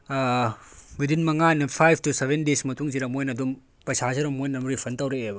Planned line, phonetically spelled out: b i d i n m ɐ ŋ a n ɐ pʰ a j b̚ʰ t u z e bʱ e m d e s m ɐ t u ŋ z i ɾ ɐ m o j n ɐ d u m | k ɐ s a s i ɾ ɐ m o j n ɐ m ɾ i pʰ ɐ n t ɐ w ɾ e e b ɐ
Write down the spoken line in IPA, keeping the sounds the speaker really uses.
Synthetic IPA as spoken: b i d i n m ɐ ŋ a n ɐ pʰ a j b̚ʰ t u s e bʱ e n d e s m ɐ t u ŋ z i ɾ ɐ m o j n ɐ d u m | p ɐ s a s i ɾ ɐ m o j n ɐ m ɾ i pʰ ɐ n t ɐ w ɾ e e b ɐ